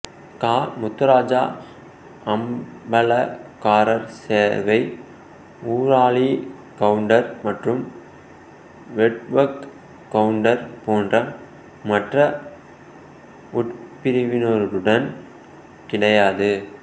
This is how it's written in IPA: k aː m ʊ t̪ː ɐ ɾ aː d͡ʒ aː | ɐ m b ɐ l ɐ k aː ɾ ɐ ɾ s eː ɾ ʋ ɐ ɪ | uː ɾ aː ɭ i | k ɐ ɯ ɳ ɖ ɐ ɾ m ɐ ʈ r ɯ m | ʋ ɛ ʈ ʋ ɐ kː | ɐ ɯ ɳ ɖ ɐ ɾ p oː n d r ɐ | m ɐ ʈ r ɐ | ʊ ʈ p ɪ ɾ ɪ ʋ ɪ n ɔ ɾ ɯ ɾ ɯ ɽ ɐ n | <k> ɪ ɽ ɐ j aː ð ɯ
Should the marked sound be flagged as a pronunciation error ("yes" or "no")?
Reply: no